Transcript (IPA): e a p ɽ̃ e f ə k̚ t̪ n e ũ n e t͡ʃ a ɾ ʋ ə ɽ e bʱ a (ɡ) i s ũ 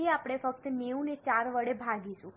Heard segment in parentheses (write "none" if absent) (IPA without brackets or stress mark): ɡ